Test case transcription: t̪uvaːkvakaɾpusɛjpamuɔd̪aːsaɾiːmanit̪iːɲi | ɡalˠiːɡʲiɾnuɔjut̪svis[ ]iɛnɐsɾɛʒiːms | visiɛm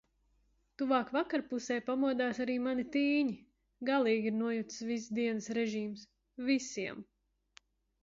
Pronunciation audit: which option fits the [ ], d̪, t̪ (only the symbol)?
d̪